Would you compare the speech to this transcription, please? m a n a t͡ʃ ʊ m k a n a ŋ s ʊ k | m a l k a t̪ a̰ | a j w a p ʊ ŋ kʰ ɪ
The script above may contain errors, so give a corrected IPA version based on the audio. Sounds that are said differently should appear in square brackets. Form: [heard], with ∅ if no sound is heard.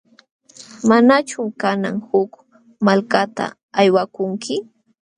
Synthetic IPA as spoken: m a n a t͡ʃ ʊ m k a n a ŋ [h] ʊ k | m a l k a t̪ a̰ | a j w a [k] ʊ ŋ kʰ ɪ